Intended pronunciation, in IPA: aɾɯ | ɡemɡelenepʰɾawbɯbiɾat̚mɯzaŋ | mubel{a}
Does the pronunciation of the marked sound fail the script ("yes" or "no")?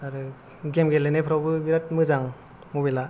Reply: no